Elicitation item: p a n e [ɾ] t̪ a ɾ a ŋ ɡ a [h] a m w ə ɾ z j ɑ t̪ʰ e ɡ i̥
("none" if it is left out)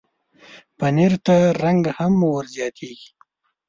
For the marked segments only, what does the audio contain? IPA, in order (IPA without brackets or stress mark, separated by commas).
ɾ, h